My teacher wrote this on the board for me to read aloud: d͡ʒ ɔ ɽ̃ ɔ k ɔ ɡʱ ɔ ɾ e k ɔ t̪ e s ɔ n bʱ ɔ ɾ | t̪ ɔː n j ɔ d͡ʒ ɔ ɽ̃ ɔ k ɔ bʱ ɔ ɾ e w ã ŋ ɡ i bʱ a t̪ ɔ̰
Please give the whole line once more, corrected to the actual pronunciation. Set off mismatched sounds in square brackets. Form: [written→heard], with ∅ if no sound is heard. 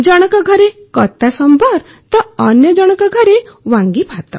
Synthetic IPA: d͡ʒ ɔ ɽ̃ ɔ k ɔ ɡʱ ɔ ɾ e k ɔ t̪ [e→a] s ɔ [n→m] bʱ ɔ ɾ | t̪ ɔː n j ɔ d͡ʒ ɔ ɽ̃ ɔ k ɔ [bʱ→ɡʱ] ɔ ɾ e w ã ŋ ɡ i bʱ a t̪ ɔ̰